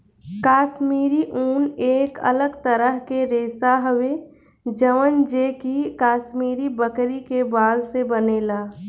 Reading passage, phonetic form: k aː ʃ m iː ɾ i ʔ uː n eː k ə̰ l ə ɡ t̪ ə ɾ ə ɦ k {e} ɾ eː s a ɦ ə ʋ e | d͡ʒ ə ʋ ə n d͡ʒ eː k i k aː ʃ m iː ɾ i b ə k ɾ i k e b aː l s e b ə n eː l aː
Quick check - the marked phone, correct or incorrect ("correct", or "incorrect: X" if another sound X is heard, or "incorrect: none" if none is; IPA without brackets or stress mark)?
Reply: correct